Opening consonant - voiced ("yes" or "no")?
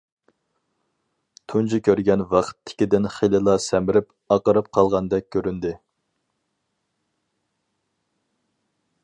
no